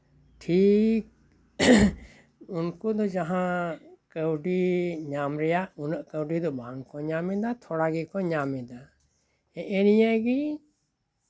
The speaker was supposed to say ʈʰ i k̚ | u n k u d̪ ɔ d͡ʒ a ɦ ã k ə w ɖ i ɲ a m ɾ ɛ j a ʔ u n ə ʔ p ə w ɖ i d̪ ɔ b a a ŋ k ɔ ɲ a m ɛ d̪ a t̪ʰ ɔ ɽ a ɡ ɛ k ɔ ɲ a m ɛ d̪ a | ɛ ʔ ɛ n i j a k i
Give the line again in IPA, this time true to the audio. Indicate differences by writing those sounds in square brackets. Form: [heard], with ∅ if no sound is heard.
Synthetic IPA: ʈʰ i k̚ | u n k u d̪ ɔ d͡ʒ a ɦ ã k ə w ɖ i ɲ a m ɾ ɛ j a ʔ u n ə ʔ [k] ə w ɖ i d̪ ɔ b a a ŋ k ɔ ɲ a m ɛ d̪ a t̪ʰ ɔ ɽ a ɡ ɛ k ɔ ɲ a m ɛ d̪ a | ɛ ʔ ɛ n i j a [ɡ] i